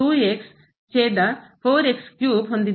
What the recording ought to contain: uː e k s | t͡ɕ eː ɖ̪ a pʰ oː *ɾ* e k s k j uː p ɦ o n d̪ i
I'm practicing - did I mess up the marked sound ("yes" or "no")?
no